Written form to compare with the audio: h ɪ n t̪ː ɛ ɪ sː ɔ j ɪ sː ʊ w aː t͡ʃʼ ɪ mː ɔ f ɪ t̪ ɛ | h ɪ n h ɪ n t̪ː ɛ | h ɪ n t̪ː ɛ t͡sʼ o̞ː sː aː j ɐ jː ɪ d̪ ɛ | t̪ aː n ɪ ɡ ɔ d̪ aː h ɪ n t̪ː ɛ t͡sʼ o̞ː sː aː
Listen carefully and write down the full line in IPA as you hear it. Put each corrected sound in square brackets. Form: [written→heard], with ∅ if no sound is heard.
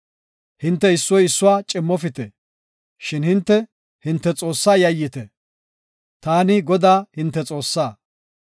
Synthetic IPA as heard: h ɪ n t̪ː ɛ ɪ sː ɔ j ɪ sː ʊ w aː t͡ʃʼ ɪ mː ɔ f ɪ t̪ ɛ | [h→ʃ] ɪ n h ɪ n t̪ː ɛ | h ɪ n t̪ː ɛ t͡sʼ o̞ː sː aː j ɐ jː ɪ [d̪→t̪] ɛ | t̪ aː n ɪ ɡ ɔ d̪ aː h ɪ n t̪ː ɛ t͡sʼ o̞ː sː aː